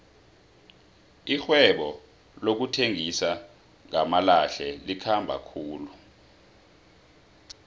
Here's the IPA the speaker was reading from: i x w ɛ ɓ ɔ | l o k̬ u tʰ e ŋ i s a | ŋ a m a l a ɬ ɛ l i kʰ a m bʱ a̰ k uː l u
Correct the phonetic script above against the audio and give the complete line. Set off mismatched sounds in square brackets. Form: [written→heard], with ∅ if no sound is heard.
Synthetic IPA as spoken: i x w ɛ ɓ ɔ | l o k̬ u tʰ e ŋ i s a | ŋ a m a l a ɬ ɛ l i kʰ a m bʱ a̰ [k→kʰ] uː l u